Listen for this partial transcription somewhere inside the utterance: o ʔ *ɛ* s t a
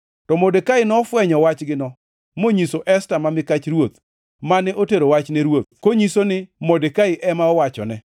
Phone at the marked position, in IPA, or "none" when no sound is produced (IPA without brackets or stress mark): ɛ